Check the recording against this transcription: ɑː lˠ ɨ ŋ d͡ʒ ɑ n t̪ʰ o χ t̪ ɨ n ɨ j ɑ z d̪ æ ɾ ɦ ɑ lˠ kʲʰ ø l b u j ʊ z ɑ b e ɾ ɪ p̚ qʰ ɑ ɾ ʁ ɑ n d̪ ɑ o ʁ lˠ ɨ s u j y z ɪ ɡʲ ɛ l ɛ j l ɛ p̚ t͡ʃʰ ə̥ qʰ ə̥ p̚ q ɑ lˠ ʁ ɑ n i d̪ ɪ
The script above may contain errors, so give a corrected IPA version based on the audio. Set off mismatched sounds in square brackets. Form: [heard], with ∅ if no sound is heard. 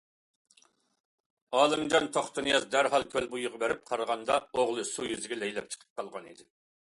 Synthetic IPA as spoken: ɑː lˠ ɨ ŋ d͡ʒ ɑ n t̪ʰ o χ t̪ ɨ n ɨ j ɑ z d̪ æ ɾ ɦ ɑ lˠ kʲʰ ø l b u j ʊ [ʁ] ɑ b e ɾ ɪ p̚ qʰ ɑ ɾ ʁ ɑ n d̪ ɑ o ʁ lˠ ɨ s u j y z ɪ ɡʲ ɛ l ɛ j l ɛ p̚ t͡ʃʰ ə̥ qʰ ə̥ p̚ q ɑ lˠ ʁ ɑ n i d̪ ɪ